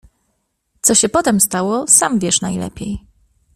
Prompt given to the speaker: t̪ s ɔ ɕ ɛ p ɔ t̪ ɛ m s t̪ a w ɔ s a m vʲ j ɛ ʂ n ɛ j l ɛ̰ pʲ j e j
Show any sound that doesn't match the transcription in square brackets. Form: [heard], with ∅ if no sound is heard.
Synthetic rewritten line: t̪ s ɔ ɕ ɛ p ɔ t̪ ɛ m s t̪ a w ɔ s a m vʲ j ɛ ʂ n [a] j l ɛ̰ pʲ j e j